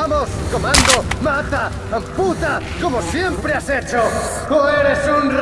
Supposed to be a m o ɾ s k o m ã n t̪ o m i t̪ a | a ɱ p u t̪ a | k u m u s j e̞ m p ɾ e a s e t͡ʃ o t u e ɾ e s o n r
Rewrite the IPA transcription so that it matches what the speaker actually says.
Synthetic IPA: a m o s k o m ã n d̪ o m a t̪ a | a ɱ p u t̪ a | k o m o s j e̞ m p ɾ e a s e t͡ʃ o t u e ɾ e s u n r